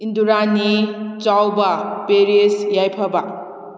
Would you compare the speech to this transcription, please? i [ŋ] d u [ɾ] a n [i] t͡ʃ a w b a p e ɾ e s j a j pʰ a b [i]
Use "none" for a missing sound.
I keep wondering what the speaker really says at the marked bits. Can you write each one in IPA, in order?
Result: n, ɾ, i, a

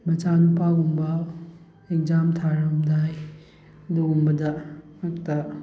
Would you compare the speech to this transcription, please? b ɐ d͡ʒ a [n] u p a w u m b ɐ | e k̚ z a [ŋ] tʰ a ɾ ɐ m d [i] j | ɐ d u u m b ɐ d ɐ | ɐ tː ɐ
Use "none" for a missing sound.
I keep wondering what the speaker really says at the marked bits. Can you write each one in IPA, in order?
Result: n, m, a

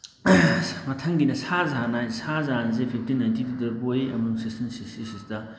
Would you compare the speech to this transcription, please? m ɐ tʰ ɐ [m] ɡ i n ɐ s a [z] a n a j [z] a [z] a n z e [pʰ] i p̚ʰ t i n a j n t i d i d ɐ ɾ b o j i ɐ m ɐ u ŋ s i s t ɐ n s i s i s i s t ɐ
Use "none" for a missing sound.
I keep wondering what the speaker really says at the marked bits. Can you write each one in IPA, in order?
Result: ŋ, z, s, z, pʰ

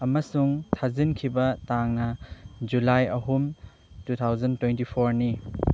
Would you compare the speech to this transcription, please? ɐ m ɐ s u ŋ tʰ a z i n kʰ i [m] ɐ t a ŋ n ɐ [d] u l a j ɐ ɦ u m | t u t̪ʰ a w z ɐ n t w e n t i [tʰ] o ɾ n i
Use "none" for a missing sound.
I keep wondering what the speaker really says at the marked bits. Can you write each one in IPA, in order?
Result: b, d͡ʒ, pʰ

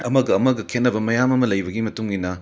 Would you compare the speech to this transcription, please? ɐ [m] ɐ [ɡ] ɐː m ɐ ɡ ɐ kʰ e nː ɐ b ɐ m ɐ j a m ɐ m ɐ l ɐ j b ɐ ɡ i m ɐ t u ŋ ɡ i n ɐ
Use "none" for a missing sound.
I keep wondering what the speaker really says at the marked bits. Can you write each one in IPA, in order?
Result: m, ɡ

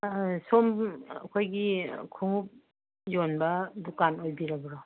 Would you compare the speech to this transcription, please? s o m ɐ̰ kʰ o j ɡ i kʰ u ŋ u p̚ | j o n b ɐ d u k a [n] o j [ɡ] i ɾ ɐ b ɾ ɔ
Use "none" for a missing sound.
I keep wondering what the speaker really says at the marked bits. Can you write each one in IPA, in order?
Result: n, b

